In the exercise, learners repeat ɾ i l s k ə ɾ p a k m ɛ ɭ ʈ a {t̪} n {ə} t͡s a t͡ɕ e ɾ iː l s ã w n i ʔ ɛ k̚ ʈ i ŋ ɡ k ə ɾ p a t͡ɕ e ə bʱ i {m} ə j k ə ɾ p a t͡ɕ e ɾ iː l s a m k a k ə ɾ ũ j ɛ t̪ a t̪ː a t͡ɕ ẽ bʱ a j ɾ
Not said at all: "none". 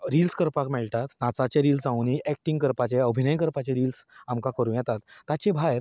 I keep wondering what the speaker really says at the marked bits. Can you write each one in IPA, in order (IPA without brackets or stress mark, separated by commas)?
t̪, a, n